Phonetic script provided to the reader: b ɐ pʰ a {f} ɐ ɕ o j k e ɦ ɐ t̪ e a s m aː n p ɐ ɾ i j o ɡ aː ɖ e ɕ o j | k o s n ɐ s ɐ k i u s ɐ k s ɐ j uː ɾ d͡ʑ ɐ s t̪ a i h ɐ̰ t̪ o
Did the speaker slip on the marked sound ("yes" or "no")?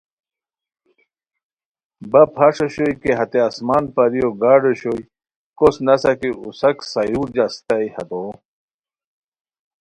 yes